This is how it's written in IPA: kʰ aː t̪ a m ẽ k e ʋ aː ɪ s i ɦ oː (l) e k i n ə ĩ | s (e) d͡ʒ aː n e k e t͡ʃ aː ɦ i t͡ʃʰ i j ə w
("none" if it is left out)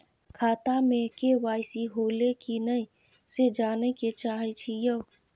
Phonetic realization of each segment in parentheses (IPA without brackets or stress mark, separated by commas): l, e